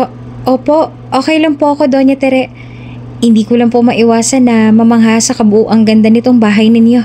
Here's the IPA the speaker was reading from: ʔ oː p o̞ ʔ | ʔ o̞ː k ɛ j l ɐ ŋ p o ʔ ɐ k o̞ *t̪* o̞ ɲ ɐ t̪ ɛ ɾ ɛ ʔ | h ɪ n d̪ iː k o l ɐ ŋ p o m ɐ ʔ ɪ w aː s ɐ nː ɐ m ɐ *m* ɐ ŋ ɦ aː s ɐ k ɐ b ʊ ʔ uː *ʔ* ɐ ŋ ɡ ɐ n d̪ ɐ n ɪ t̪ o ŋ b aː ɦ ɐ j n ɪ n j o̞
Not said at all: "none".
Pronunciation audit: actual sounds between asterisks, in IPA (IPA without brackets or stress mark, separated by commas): d̪, m, ʔ